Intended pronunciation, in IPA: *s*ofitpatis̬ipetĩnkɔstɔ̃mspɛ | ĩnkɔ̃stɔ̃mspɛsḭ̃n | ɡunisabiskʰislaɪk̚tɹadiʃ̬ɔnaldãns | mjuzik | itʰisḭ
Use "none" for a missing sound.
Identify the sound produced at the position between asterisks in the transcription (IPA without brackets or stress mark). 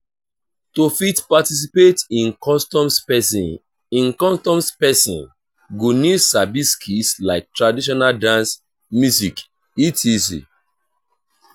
t